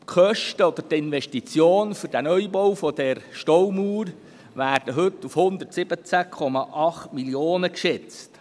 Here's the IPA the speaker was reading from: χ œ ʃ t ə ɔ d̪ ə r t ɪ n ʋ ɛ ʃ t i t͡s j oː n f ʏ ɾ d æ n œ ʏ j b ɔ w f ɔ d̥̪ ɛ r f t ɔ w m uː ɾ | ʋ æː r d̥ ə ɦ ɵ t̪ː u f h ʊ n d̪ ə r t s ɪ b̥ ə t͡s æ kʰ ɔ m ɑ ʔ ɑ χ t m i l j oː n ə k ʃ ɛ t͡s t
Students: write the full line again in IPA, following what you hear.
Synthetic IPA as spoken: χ œ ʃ t ə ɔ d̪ ə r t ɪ n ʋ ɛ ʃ t i t͡s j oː n f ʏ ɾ d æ n œ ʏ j b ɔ w f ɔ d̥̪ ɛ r ʃ t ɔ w m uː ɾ | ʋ æː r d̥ ə ɦ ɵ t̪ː u f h ʊ n d̪ ə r t s ɪ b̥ ə t͡s æ kʰ ɔ m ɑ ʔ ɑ χ t m i l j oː n ə k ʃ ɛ t͡s t